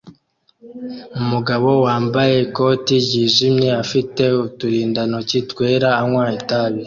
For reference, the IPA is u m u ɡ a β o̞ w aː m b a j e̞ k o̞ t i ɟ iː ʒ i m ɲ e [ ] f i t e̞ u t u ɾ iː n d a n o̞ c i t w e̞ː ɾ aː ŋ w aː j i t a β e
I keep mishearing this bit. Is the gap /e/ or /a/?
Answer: a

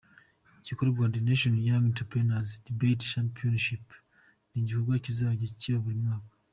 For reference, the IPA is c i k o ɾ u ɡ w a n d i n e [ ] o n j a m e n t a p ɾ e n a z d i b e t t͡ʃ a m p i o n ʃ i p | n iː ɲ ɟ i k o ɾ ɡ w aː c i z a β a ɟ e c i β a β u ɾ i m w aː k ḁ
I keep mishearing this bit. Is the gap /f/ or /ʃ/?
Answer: ʃ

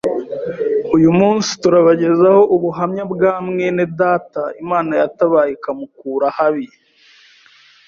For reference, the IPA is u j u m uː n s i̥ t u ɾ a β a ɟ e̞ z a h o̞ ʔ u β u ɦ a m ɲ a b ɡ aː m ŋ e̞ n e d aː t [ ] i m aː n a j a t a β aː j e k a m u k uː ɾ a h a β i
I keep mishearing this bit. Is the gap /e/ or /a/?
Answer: a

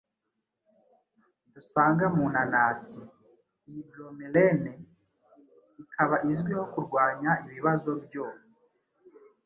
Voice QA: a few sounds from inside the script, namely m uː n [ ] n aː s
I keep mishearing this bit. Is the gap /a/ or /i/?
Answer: a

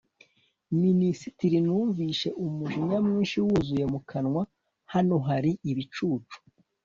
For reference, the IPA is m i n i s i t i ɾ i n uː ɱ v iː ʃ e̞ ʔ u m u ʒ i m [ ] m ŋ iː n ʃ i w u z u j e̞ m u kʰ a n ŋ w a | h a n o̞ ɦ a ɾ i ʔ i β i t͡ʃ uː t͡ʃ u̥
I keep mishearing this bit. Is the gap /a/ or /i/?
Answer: a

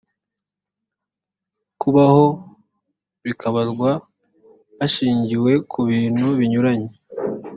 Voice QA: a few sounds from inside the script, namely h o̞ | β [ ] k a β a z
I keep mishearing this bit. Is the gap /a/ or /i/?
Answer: i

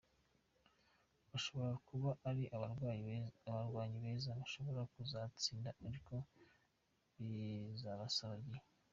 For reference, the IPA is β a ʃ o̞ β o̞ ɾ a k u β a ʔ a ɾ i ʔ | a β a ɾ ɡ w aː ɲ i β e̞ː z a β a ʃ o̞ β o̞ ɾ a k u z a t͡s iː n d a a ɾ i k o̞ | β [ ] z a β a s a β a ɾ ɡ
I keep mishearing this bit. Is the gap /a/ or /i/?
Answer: i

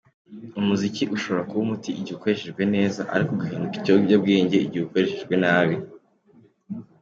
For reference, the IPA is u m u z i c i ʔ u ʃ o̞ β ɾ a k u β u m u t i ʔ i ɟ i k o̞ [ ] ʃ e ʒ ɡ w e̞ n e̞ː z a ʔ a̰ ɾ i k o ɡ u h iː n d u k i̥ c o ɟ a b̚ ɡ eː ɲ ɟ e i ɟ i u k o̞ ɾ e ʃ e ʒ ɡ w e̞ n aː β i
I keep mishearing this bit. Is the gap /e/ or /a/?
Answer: e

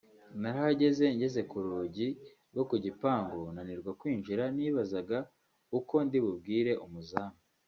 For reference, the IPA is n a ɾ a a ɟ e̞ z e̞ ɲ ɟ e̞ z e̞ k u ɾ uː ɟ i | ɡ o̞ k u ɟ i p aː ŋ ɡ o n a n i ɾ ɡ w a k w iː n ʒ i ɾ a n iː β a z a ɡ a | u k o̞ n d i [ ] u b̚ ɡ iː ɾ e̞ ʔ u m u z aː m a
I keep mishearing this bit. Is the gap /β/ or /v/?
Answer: β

